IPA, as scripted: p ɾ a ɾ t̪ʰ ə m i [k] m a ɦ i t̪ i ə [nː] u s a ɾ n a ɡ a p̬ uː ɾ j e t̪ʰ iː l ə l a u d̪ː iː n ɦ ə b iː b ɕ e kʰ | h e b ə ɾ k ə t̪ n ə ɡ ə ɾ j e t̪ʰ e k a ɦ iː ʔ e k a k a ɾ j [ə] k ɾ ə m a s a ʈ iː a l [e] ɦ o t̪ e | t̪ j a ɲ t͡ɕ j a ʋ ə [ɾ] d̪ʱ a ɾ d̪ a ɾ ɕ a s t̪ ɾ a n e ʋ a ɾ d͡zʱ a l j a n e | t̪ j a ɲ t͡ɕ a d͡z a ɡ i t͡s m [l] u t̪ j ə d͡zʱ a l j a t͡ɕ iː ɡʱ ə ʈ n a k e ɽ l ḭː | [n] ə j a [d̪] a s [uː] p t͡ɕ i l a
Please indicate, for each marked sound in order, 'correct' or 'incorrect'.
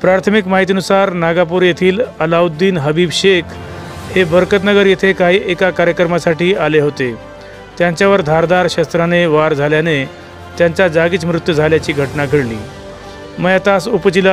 correct, incorrect: n, correct, correct, correct, incorrect: ɾ, incorrect: m, incorrect: t̪, incorrect: u

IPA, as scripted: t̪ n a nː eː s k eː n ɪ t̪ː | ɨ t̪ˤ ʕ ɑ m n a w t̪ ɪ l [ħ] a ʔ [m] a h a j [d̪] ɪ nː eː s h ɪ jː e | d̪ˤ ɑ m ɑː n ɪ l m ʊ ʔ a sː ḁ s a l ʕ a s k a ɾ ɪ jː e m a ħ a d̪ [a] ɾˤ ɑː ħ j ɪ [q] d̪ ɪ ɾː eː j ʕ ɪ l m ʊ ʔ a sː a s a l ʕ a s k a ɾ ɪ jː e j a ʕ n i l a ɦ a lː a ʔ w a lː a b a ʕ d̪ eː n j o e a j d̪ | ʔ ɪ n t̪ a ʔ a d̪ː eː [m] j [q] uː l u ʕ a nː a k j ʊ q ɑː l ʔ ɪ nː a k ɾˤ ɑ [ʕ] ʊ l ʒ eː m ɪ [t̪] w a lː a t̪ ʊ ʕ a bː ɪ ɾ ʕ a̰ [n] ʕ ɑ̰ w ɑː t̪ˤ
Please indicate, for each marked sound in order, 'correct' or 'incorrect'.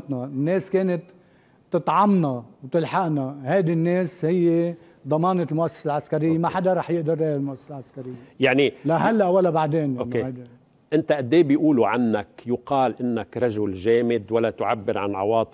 correct, incorrect: n, correct, correct, incorrect: ʔ, incorrect: b, incorrect: ʔ, incorrect: ʒ, incorrect: d̪, correct

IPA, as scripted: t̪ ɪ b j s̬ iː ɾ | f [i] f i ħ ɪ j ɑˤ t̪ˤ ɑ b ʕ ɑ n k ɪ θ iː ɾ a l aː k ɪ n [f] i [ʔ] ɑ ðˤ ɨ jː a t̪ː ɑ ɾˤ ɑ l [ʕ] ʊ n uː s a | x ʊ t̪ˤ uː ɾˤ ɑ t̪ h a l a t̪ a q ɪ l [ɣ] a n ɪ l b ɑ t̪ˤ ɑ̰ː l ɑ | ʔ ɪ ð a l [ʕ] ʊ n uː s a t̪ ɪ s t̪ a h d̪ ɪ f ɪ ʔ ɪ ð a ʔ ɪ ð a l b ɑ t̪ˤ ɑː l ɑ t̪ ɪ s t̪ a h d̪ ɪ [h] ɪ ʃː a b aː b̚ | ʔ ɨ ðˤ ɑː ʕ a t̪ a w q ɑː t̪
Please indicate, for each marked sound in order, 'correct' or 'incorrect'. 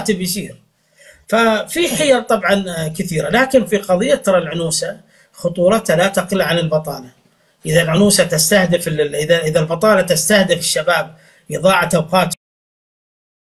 incorrect: a, correct, incorrect: q, correct, incorrect: ʕ, correct, incorrect: f

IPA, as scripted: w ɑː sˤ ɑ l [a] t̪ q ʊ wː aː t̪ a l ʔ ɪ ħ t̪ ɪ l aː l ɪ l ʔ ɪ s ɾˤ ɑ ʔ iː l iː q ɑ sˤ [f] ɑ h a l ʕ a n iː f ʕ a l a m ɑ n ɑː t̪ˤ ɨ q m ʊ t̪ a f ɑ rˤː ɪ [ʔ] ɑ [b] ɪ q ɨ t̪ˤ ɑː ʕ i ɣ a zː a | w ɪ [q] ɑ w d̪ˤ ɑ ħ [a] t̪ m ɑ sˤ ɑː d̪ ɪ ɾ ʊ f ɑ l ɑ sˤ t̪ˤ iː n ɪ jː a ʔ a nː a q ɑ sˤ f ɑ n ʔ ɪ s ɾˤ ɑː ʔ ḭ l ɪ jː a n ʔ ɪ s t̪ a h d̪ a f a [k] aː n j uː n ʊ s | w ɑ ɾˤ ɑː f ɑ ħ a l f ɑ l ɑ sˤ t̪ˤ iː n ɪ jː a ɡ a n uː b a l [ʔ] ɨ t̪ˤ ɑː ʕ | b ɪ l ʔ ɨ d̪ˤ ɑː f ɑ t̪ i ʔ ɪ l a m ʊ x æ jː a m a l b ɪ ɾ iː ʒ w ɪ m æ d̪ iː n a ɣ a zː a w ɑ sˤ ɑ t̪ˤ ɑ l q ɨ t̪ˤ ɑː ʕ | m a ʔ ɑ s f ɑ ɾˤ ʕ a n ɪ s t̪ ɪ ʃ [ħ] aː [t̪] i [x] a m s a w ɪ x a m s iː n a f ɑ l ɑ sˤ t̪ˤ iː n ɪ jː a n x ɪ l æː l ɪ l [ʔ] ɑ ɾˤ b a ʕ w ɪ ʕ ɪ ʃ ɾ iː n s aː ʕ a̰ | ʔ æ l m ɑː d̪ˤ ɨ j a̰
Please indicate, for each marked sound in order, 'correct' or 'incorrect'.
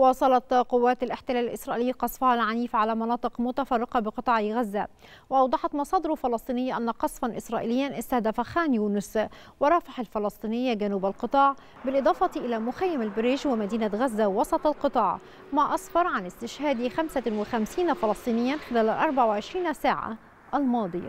incorrect: ɑ, correct, incorrect: q, correct, incorrect: ʔ, incorrect: ɑ, incorrect: x, incorrect: q, incorrect: h, incorrect: d̪, correct, correct

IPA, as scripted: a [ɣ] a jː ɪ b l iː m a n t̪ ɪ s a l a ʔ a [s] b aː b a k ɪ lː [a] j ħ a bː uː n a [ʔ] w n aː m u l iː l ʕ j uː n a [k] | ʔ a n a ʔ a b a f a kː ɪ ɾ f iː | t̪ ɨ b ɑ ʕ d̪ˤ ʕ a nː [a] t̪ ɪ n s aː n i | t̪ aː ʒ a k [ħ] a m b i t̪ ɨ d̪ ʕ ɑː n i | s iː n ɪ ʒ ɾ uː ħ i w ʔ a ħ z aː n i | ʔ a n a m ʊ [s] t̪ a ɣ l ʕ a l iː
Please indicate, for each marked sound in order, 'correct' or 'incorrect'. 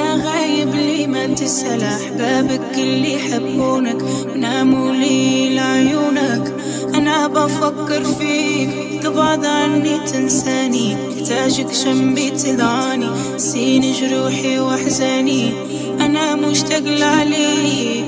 correct, incorrect: ħ, incorrect: i, incorrect: k, correct, incorrect: i, incorrect: ʃ, incorrect: ʃ

